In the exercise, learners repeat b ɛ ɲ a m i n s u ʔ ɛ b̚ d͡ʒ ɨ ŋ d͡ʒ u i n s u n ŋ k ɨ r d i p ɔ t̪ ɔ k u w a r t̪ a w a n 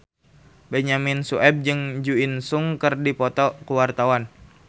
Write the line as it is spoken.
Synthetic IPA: b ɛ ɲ a m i n s u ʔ ɛ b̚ d͡ʒ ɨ ŋ d͡ʒ u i n s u ŋ k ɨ r d i p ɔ t̪ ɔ k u w a r t̪ a w a n